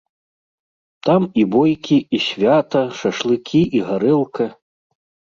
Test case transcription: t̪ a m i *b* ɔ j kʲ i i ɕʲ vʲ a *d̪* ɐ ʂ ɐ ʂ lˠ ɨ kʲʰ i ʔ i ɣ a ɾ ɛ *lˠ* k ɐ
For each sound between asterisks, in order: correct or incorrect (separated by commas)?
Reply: correct, incorrect, correct